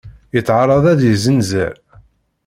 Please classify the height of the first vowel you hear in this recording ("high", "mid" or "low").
mid